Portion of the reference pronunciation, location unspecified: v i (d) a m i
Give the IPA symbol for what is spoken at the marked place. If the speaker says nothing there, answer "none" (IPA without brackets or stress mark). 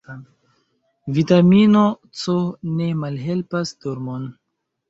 t